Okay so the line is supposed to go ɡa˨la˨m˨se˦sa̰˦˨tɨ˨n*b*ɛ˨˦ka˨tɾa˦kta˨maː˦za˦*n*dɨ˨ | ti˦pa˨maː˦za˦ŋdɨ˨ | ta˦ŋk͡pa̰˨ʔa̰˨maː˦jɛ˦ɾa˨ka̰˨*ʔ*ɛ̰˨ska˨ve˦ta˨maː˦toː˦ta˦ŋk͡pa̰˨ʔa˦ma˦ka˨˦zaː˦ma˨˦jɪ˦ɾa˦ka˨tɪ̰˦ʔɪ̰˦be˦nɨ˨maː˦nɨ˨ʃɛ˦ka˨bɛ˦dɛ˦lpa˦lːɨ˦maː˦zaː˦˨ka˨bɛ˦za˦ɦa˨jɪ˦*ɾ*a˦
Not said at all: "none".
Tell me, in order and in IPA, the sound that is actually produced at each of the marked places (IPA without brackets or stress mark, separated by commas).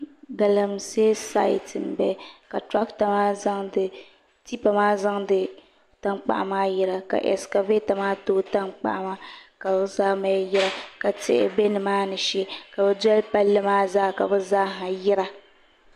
b, ŋ, ʔ, ɾ